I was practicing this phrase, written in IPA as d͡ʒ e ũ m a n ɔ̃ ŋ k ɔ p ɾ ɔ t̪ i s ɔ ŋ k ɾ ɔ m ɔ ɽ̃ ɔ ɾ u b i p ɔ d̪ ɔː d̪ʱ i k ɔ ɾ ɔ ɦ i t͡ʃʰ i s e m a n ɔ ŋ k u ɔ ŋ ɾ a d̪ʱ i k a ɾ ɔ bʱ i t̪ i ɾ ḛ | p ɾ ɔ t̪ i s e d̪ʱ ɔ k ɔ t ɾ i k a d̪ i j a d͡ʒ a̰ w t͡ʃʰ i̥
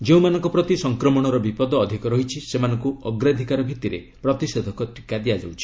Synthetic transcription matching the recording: d͡ʒ e ũ m a n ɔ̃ ŋ k ɔ p ɾ ɔ t̪ i s ɔ ŋ k ɾ ɔ m ɔ ɽ̃ ɔ ɾ ɔ b i p ɔ d̪ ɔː d̪ʱ i k ɔ ɾ ɔ ɦ i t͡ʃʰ i s e m a n ɔ ŋ k u ɔ ɡ ɾ a d̪ʱ i k a ɾ ɔ bʱ i t̪ i ɾ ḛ | p ɾ ɔ t̪ i s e d̪ʱ ɔ k ɔ t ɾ i k a d̪ i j a d͡ʒ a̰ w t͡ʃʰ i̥